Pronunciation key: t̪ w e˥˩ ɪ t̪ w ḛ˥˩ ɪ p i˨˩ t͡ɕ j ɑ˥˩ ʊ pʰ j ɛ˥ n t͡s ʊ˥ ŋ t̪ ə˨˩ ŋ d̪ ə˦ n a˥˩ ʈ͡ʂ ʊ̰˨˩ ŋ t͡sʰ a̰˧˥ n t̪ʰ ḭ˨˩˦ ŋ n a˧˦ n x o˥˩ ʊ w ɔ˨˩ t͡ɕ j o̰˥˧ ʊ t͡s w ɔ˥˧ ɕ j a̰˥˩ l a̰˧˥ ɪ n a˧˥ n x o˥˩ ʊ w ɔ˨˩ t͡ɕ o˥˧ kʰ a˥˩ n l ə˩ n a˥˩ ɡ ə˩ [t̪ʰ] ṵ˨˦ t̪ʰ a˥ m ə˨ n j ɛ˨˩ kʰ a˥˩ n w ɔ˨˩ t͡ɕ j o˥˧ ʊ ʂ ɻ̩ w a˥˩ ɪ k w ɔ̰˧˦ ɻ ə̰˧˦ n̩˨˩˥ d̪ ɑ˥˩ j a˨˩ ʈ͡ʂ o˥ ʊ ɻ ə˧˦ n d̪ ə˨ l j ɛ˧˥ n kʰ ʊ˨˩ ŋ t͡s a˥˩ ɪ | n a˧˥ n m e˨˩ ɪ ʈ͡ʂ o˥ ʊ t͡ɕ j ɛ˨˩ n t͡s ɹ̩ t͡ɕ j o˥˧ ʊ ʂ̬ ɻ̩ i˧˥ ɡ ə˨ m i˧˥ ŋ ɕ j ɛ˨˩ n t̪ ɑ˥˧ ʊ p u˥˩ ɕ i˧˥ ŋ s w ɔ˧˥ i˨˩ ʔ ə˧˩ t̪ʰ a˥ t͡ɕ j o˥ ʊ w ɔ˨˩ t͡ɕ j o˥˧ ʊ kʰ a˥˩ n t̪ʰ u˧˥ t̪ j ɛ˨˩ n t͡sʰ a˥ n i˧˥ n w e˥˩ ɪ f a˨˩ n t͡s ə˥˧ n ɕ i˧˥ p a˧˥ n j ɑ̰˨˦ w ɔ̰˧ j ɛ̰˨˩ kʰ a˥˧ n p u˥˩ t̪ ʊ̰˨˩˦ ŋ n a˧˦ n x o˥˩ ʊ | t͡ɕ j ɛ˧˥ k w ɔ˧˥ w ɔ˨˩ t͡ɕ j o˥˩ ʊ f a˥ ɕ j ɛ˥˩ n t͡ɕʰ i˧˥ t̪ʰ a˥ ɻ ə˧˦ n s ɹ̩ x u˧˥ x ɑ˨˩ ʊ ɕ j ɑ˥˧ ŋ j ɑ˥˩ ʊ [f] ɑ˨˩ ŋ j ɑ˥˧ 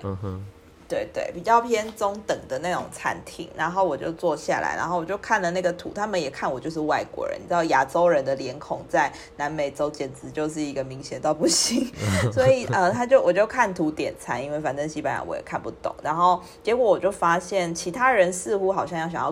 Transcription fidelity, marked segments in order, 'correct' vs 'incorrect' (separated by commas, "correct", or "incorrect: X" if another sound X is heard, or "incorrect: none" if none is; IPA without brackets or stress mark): correct, incorrect: ɕ